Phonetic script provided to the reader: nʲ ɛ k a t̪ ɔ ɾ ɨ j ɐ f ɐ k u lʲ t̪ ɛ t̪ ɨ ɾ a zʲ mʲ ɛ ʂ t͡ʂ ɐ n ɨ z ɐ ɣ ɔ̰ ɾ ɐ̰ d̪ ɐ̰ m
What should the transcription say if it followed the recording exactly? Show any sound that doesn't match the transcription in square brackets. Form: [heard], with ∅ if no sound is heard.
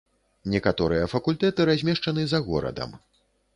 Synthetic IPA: nʲ ɛ k a t̪ ɔ ɾ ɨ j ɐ f ɐ k u lʲ t̪ ɛ t̪ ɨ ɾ a zʲ mʲ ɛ ʂ t͡ʂ ɐ n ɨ z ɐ ɣ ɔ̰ ɾ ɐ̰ d̪ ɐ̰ m